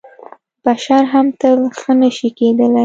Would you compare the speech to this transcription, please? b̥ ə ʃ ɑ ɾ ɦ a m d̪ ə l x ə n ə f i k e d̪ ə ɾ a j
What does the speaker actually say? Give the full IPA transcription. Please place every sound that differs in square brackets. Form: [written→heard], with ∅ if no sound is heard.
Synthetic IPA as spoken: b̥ [ə→a] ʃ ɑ ɾ ɦ a m [d̪→t̪] ə l x ə n ə [f→ʃ] i k e d̪ ə [ɾ→l] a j